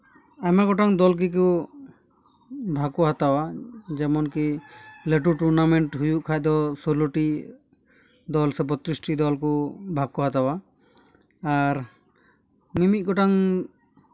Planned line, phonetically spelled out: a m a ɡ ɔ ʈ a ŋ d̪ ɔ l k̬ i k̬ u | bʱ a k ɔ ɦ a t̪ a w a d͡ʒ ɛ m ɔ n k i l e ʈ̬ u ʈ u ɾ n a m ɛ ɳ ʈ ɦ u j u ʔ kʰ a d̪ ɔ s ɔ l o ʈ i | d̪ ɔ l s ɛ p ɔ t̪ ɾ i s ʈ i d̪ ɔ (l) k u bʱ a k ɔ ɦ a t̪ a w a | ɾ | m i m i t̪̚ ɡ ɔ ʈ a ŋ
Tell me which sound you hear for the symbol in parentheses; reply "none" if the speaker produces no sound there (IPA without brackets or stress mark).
l